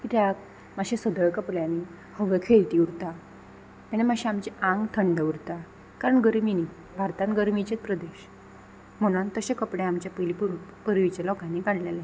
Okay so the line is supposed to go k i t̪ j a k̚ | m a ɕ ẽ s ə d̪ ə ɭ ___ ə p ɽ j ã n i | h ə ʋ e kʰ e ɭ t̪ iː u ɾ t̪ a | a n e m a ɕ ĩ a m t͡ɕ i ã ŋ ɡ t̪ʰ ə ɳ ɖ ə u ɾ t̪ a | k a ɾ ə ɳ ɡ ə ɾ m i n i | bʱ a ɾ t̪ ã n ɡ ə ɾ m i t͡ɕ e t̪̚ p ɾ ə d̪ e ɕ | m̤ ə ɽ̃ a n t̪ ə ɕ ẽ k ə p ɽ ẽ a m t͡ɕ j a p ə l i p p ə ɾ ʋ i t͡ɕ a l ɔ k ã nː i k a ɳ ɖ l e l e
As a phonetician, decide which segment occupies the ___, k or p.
k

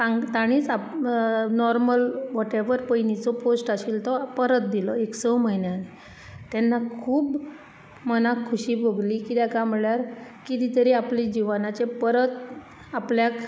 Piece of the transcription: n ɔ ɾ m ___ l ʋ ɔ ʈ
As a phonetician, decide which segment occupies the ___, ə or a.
ə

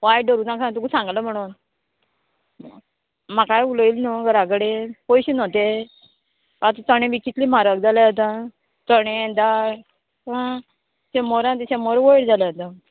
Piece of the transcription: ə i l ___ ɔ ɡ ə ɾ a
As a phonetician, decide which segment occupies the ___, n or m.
n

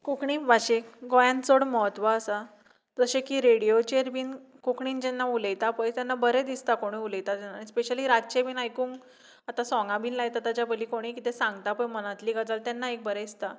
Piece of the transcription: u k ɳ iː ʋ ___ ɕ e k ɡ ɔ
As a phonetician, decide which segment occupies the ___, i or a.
a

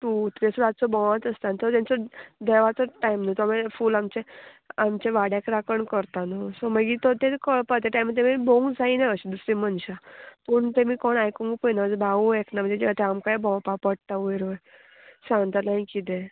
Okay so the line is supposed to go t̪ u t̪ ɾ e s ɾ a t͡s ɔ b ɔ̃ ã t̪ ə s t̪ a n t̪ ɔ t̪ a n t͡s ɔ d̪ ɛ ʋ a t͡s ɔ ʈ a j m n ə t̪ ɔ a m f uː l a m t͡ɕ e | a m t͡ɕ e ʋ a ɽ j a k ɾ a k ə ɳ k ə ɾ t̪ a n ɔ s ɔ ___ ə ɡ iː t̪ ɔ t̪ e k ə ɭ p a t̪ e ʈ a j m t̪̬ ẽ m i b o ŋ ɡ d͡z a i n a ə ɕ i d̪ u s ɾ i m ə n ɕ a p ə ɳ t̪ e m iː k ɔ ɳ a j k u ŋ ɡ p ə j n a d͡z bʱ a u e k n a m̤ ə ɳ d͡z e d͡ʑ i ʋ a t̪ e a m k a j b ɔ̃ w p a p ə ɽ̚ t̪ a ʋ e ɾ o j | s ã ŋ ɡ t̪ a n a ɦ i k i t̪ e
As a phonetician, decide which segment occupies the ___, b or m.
m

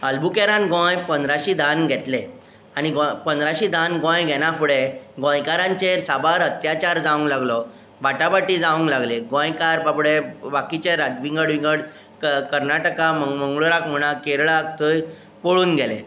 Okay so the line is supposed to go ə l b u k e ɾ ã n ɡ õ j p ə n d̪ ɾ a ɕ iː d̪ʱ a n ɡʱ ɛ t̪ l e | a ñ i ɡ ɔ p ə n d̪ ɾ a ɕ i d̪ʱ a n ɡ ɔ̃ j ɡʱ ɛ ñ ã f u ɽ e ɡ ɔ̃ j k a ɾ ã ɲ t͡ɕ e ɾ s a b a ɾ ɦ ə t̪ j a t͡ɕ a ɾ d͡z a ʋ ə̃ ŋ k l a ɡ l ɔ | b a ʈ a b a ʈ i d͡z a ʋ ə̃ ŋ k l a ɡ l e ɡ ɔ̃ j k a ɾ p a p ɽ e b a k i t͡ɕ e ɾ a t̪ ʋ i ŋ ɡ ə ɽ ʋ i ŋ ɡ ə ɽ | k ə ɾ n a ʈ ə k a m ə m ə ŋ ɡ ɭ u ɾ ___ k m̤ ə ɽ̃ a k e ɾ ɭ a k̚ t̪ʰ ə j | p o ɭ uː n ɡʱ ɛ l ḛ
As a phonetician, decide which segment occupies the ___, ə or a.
a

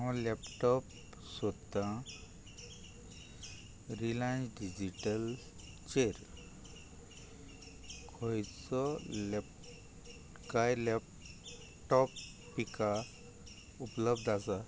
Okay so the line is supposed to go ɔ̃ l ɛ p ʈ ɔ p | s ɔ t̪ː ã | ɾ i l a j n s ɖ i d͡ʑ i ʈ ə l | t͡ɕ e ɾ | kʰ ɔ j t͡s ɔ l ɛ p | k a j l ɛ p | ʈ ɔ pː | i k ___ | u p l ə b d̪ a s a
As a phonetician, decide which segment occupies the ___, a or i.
a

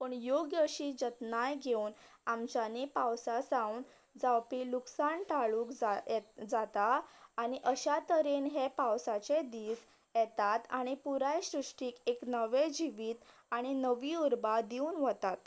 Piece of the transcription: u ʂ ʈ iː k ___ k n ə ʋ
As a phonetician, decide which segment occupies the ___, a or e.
e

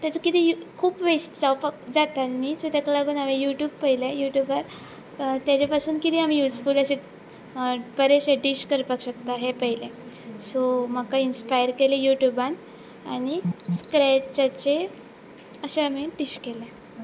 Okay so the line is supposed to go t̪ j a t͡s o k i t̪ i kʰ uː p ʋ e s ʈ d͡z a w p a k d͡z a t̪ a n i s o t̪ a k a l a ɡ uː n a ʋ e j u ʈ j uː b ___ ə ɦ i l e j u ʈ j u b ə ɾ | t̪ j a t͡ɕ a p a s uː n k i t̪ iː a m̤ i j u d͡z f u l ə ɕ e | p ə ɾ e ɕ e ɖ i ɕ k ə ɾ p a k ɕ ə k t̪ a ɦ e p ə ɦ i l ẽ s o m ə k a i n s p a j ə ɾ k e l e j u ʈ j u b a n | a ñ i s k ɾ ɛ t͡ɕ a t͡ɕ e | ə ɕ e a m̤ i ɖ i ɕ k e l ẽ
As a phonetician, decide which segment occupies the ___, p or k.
p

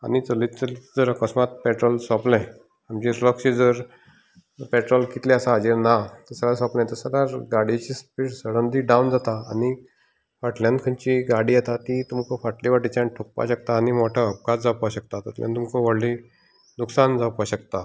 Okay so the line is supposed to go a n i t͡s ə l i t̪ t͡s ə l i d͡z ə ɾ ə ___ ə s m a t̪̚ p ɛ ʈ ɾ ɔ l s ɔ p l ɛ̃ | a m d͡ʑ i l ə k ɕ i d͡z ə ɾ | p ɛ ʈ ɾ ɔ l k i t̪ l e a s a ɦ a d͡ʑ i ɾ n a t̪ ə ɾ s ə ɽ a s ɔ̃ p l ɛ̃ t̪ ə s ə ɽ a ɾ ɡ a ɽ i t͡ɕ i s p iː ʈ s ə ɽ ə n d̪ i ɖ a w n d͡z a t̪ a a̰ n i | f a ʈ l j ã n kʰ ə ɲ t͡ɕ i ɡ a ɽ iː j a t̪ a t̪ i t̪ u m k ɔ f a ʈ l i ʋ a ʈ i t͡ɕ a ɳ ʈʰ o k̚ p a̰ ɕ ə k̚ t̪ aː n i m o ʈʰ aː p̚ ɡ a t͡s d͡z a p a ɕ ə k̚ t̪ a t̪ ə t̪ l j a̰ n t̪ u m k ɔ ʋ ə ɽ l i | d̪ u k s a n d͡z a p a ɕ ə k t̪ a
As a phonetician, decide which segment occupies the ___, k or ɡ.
k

